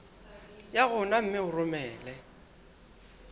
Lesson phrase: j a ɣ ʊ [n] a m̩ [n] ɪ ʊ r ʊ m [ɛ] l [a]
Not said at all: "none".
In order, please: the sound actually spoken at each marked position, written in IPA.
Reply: n, m, ɛː, ɛ

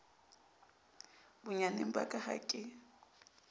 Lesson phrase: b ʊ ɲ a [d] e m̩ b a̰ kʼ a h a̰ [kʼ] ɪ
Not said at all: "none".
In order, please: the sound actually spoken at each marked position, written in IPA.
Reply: n, kʼ

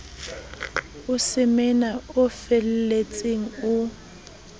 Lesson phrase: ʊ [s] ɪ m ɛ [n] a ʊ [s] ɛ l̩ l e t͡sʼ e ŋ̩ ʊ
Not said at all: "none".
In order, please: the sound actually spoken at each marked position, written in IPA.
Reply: s, n, f

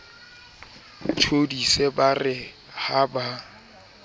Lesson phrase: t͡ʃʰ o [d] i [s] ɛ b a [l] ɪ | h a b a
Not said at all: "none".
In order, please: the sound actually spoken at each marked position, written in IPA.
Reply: d, s, r

